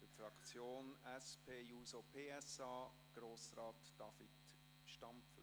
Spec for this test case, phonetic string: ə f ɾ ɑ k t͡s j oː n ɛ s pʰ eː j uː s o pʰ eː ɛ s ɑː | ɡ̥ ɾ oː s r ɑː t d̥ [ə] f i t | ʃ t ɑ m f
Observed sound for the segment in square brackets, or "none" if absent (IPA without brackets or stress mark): ɑ